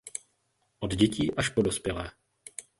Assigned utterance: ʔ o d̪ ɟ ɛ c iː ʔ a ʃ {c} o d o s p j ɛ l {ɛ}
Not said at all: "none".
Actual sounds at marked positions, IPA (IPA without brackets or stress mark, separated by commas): p, ɛː